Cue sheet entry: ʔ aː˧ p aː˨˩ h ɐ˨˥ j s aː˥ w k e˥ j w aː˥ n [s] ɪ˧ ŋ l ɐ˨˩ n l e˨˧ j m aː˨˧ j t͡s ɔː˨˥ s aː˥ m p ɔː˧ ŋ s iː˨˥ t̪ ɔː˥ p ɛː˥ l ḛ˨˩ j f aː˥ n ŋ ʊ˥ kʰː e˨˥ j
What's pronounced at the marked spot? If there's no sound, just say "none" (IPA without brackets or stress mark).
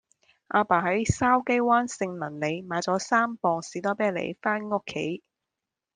s